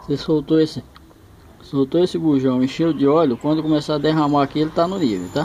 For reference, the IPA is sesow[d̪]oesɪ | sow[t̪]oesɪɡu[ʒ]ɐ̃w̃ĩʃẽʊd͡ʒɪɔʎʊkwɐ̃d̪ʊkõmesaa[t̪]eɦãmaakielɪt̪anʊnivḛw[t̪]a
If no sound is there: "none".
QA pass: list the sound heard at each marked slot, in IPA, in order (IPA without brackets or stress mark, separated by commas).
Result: t̪, t̪, ʒ, d̪, t̪